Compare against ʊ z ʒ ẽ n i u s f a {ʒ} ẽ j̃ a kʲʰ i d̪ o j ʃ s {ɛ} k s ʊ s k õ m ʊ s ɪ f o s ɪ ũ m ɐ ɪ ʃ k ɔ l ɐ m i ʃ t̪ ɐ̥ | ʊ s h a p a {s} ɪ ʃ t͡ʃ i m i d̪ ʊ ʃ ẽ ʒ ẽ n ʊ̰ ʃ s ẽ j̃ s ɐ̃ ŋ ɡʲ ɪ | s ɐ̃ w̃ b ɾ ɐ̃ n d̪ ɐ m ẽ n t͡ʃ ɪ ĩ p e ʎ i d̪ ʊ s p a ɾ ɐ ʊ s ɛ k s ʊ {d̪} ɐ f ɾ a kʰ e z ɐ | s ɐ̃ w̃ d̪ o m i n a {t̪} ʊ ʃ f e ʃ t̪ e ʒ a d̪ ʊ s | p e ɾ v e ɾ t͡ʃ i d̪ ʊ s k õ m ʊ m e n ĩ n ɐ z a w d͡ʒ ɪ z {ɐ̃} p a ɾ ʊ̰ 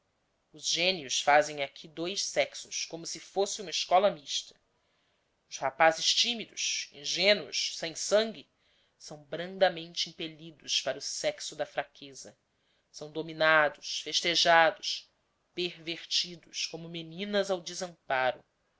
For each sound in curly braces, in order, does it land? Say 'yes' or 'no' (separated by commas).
no, yes, no, yes, no, yes